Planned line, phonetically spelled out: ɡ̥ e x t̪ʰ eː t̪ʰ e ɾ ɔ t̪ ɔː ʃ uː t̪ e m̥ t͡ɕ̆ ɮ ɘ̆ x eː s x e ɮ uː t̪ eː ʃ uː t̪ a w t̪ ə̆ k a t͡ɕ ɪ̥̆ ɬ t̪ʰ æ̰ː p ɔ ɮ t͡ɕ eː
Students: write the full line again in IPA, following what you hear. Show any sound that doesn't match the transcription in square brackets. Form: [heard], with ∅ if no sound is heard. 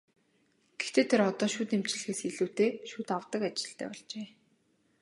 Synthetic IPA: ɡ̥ e x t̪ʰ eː t̪ʰ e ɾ ɔ t̪ ɔː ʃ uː t̪ e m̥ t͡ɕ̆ ɮ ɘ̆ x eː s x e ɮ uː t̪ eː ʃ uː t̪ a w t̪ ə̆ k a t͡ɕ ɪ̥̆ ɬ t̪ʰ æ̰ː p ɔ ɮ t͡ɕ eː